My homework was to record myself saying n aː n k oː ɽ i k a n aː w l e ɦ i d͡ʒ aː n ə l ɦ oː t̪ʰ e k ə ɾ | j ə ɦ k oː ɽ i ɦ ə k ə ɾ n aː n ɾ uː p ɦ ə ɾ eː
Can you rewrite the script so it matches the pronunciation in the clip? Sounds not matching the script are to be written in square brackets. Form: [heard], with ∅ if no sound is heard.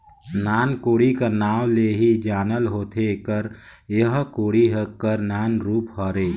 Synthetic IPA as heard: n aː n k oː ɽ i k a n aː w l e ɦ i d͡ʒ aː n ə l ɦ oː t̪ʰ e k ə ɾ | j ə ɦ k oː ɽ i ɦ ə k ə ɾ n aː n ɾ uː p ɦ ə ɾ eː